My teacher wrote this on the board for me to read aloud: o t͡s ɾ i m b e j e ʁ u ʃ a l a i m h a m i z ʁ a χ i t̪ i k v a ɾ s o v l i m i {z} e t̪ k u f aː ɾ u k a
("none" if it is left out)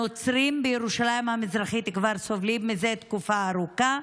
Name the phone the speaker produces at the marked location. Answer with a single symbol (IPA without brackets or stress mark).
z